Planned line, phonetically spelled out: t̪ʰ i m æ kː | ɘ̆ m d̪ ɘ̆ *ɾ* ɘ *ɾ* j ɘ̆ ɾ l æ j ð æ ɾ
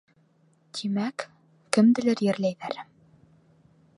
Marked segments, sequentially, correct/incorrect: incorrect: l, correct

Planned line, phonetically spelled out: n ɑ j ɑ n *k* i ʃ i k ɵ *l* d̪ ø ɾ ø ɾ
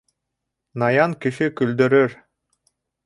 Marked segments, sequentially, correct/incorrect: correct, correct

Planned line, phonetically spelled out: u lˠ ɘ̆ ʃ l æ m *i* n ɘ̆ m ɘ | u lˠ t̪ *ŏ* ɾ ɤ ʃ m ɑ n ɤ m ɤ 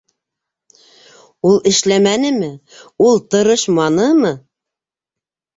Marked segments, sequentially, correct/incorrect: incorrect: æ, incorrect: ɤ̆

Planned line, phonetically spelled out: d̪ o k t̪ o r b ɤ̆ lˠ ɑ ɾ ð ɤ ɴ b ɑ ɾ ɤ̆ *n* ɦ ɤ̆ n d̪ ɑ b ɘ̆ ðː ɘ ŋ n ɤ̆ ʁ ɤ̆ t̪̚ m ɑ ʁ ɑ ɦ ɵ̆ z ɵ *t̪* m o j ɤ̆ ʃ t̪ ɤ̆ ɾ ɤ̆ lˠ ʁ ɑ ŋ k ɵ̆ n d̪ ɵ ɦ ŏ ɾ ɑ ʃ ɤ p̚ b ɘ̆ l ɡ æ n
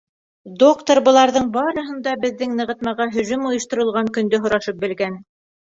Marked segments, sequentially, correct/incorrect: incorrect: none, incorrect: none

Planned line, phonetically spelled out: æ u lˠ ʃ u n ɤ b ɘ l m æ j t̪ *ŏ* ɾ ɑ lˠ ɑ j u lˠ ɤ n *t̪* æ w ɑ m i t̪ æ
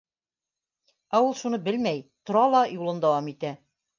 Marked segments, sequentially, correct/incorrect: correct, incorrect: d̪

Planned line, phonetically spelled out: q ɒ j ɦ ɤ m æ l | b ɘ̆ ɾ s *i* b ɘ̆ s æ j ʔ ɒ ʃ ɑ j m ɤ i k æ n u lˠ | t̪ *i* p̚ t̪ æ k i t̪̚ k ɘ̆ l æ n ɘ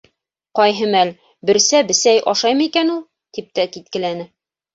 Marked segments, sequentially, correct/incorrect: incorrect: æ, correct

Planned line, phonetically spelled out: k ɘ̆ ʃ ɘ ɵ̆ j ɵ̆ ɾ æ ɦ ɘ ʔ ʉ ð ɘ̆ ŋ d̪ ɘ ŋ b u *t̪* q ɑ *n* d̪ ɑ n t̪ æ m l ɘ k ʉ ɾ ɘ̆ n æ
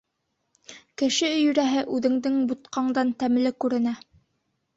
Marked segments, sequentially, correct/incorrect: correct, incorrect: ɴ

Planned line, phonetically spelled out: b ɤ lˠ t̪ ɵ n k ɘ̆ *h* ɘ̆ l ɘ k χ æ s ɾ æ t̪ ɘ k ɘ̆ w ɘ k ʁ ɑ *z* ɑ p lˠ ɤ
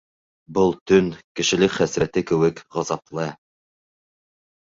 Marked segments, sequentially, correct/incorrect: incorrect: ʃ, correct

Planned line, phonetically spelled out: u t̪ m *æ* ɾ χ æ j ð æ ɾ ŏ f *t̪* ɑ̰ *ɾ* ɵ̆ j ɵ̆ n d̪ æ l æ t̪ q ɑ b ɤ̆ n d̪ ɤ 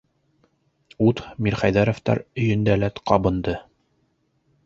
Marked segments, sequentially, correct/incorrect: incorrect: i, correct, correct

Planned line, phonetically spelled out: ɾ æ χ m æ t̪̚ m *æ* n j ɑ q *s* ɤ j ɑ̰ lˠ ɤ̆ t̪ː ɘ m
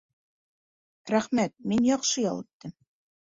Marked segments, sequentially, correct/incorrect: incorrect: i, incorrect: ʃ

